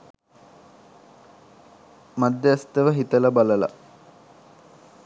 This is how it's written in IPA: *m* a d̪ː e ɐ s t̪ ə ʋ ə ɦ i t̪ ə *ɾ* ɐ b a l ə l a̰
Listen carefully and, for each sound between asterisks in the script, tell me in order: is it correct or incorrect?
correct, incorrect

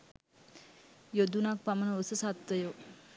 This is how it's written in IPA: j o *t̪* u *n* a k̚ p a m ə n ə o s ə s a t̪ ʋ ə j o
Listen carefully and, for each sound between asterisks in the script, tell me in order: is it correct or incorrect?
incorrect, correct

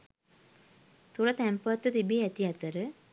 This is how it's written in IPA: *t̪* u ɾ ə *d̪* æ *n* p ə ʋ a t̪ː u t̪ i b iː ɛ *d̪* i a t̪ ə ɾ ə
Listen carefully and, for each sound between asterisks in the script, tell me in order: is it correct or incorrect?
correct, incorrect, incorrect, incorrect

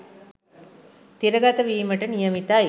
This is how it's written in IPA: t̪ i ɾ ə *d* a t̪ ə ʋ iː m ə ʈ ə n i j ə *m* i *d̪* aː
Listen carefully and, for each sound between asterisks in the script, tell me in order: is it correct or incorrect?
incorrect, correct, incorrect

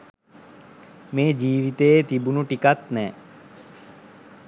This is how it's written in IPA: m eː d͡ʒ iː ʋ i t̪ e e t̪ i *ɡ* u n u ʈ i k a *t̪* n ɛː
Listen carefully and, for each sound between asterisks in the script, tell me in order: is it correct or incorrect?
incorrect, correct

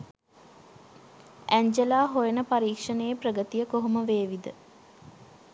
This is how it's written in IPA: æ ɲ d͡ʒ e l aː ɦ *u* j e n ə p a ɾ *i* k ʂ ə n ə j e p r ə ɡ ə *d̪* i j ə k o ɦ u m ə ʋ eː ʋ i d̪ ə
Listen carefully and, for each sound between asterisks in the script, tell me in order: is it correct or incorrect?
incorrect, incorrect, incorrect

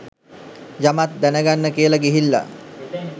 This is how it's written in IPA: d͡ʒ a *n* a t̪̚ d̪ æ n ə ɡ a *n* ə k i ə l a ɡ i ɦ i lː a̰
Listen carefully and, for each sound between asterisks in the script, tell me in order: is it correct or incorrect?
incorrect, incorrect

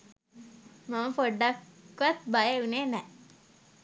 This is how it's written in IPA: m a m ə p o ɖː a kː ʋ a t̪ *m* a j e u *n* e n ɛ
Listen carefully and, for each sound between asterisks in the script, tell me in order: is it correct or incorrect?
incorrect, correct

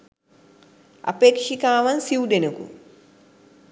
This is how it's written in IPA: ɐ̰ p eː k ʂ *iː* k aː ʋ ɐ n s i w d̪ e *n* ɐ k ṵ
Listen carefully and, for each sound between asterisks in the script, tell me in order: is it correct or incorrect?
incorrect, correct

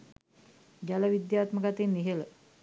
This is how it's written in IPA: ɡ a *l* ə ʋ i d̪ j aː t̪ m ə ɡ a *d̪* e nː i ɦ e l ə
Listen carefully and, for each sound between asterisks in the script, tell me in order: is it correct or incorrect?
correct, incorrect

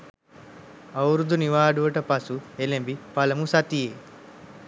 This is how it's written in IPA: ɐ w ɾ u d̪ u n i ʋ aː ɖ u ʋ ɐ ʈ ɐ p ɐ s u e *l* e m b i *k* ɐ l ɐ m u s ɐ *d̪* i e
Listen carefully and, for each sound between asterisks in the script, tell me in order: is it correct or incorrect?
correct, incorrect, incorrect

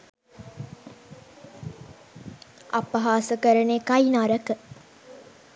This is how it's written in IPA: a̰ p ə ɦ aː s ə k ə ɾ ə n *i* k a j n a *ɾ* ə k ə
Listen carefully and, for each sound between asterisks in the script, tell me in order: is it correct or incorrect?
incorrect, correct

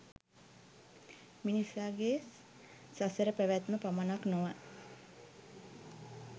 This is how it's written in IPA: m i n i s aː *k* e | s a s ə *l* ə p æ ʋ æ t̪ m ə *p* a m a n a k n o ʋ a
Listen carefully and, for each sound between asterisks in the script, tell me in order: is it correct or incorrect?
incorrect, incorrect, correct

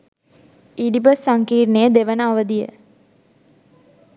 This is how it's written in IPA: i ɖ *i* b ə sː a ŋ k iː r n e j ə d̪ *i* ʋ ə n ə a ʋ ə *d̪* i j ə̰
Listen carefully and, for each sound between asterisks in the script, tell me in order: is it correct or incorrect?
correct, incorrect, correct

